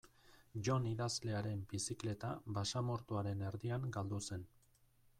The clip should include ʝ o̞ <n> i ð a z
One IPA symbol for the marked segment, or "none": n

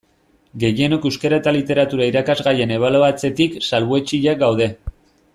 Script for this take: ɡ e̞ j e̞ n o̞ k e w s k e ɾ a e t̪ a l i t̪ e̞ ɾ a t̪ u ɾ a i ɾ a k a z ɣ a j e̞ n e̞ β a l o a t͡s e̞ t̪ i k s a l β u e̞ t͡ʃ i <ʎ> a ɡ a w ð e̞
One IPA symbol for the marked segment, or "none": ʎ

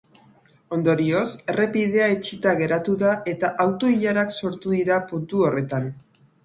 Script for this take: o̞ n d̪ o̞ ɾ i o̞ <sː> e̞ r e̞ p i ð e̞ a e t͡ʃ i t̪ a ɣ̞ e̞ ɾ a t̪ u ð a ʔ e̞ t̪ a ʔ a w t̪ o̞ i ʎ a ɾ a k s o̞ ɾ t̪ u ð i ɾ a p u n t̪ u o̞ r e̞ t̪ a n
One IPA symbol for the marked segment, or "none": s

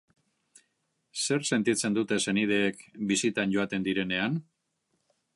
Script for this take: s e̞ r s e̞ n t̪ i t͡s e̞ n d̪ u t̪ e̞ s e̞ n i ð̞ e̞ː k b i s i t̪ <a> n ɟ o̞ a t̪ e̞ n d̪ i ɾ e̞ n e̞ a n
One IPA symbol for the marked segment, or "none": a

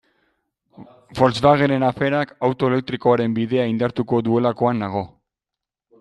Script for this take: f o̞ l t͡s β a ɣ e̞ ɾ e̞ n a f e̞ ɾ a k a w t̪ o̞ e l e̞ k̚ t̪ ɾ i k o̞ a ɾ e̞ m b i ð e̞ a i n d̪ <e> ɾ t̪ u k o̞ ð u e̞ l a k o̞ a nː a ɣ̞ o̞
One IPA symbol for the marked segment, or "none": a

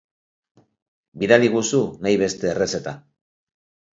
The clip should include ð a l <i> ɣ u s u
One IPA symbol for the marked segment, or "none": i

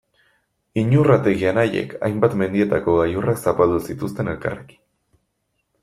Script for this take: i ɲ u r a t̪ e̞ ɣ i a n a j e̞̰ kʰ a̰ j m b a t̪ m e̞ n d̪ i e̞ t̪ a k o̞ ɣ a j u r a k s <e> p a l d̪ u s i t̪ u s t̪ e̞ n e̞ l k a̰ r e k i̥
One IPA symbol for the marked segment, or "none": a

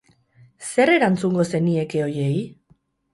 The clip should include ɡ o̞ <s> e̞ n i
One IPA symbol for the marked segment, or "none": s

